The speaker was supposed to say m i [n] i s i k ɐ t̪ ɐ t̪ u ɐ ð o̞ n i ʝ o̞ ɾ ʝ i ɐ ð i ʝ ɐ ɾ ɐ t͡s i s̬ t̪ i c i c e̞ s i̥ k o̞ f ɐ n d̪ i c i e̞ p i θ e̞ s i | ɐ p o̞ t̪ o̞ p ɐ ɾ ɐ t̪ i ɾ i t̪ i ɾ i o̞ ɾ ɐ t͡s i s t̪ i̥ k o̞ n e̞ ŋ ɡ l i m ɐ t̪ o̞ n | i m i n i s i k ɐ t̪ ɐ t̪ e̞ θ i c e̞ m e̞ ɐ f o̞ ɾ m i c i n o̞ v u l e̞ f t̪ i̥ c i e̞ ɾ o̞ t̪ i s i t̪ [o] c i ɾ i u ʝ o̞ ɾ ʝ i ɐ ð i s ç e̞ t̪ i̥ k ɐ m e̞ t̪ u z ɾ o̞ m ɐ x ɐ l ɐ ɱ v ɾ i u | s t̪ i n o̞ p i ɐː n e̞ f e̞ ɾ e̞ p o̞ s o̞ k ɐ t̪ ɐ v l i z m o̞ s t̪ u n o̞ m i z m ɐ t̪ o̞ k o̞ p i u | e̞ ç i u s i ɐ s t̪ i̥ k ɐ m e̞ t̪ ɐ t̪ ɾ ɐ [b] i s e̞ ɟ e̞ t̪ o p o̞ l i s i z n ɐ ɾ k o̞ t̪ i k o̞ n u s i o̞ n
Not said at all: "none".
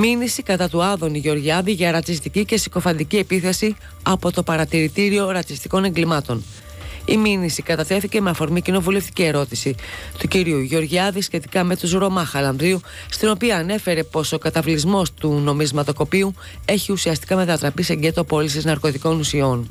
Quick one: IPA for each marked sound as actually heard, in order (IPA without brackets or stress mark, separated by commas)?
n, u, p